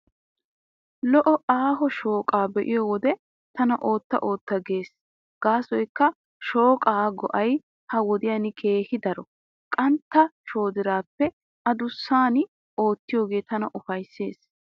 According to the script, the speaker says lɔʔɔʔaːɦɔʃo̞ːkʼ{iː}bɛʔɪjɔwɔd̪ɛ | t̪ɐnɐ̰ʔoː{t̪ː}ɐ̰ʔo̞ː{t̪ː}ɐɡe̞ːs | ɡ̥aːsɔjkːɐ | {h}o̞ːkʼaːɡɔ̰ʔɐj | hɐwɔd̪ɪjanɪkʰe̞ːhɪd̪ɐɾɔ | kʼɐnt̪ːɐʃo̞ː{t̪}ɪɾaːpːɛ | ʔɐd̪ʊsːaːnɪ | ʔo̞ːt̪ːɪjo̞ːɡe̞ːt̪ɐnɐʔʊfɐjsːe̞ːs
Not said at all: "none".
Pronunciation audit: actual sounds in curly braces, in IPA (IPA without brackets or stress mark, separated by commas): aː, t̪ː, t̪ː, ʃ, d̪